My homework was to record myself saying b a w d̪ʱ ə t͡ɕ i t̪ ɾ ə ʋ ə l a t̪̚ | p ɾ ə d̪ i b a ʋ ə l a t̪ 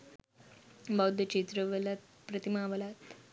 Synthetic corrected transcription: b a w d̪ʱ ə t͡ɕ i t̪ ɾ ə ʋ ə l a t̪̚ | p ɾ ə t̪ i m a ʋ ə l a t̪